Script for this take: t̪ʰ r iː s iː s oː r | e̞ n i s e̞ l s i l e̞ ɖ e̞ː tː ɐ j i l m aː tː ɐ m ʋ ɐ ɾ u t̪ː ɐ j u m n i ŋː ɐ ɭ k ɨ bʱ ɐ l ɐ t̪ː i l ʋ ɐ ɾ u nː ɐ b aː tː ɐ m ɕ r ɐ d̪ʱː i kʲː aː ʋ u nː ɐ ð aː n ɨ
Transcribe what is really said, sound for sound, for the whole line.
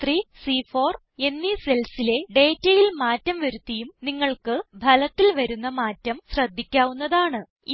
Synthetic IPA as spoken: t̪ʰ r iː s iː f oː r | e̞ nː i s e̞ l s i l e̞ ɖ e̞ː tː ɐ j i l m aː tː ɐ m ʋ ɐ ɾ u t̪ː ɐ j u m n i ŋː ɐ ɭ k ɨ bʱ ɐ l ɐ t̪ː i l ʋ ɐ ɾ u nː ɐ m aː tː ɐ m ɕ r ɐ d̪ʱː i kʲː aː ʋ u nː ɐ ð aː ɳ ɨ